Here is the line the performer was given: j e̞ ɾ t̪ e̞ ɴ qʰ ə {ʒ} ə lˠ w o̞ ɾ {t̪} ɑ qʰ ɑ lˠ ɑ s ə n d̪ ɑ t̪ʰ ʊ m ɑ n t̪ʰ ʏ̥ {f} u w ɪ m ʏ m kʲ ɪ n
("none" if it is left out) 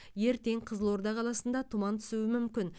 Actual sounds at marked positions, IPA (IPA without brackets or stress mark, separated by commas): z, d̪, s